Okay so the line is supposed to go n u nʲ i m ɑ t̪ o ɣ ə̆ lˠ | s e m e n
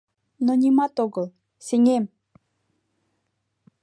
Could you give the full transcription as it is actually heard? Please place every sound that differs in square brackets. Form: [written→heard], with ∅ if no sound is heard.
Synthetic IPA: n [u→o] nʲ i m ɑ t̪ o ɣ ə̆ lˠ | s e [m→ŋ] e [n→m]